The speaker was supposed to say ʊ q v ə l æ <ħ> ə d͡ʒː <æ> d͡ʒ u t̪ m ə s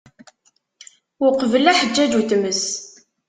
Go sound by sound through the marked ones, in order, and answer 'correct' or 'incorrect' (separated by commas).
correct, correct